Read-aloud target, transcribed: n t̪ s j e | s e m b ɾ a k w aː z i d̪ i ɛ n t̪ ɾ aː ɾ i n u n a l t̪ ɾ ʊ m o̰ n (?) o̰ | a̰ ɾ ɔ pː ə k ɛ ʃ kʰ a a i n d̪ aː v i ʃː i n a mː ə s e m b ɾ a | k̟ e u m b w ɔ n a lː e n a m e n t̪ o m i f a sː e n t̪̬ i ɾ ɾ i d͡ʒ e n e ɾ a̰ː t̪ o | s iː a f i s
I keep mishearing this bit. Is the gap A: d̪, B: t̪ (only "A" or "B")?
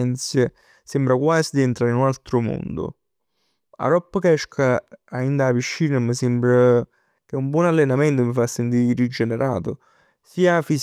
A